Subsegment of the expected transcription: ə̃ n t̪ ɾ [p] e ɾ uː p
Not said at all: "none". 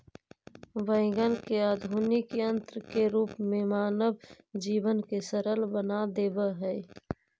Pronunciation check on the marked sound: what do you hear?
k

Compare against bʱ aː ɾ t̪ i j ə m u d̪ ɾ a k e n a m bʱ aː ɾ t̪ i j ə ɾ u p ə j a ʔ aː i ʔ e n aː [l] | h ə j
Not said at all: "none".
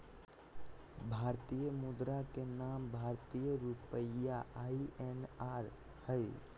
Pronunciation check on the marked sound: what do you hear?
ɾ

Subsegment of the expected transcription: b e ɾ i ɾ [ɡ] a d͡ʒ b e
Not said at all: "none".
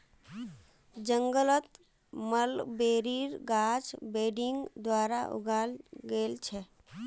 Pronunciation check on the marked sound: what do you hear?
ɡ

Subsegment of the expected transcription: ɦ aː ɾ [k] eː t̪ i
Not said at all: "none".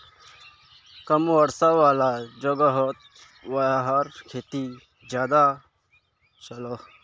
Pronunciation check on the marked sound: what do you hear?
kʰ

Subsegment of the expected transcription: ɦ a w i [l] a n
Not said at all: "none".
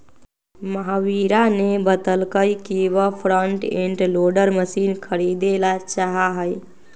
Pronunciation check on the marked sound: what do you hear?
ɾ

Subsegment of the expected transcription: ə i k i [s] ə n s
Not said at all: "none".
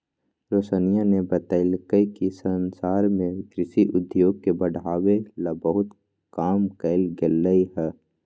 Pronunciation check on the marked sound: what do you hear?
s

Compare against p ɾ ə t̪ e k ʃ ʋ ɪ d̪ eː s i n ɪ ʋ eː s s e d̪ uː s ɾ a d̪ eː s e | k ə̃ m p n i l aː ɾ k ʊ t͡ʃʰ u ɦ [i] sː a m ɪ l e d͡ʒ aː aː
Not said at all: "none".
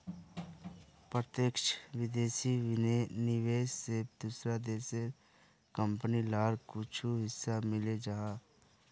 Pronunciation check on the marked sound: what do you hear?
ɪ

